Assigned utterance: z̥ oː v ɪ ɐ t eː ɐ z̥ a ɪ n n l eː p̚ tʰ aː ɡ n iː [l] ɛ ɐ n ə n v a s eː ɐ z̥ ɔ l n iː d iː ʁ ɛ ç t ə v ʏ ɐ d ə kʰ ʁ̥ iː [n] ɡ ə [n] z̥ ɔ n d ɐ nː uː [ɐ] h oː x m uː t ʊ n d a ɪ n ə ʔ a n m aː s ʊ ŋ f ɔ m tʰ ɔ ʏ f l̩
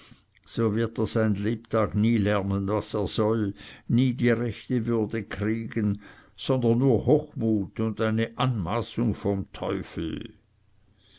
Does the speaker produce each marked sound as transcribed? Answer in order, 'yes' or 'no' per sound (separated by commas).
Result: yes, no, yes, yes